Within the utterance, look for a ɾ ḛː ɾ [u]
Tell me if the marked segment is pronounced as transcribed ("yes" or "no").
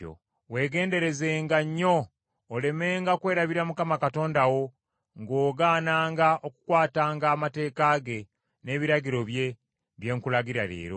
no